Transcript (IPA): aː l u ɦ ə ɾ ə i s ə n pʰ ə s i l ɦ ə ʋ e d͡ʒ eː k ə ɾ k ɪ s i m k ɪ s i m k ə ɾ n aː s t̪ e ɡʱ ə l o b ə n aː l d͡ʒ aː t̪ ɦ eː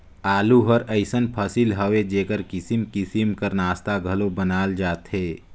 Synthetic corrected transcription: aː l u ɦ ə ɾ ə ɪ s ə n pʰ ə s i l ɦ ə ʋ e d͡ʒ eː k ə ɾ k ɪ s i m k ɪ s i m k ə ɾ n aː s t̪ a ɡʱ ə l o b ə n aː l d͡ʒ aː t̪ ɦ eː